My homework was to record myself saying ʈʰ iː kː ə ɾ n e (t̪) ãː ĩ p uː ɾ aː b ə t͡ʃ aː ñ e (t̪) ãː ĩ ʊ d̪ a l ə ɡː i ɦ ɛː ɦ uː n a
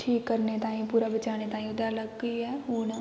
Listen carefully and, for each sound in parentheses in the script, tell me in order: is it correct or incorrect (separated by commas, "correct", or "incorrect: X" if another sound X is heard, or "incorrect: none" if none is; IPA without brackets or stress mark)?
correct, correct